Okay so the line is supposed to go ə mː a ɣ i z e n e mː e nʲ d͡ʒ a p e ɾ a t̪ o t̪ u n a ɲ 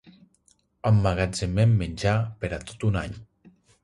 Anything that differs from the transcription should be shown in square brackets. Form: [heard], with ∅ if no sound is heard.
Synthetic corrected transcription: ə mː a ɣ [a] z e [m] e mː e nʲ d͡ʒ a p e ɾ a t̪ o t̪ u n a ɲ